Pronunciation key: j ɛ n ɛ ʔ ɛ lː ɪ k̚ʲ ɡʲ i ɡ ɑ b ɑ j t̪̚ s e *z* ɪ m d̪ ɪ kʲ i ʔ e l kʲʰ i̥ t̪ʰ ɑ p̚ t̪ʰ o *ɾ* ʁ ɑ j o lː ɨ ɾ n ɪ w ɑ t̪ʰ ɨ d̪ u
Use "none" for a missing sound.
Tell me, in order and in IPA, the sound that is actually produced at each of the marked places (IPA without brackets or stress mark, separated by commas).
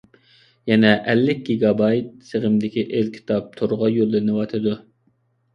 ʁ, ɾ